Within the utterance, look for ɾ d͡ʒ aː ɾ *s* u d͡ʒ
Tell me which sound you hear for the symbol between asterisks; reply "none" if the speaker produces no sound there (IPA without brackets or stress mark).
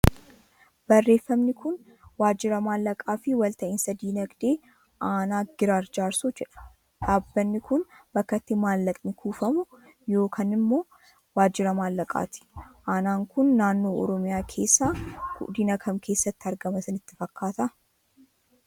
s